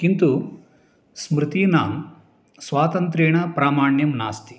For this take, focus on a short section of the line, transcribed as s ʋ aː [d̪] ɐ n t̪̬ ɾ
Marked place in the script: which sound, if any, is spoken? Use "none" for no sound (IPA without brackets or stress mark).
t̪